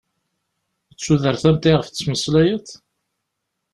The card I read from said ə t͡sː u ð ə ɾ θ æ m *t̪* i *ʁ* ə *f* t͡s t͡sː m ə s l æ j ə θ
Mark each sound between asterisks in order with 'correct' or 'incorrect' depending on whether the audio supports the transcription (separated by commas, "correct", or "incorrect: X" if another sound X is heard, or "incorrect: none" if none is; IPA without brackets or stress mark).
correct, correct, correct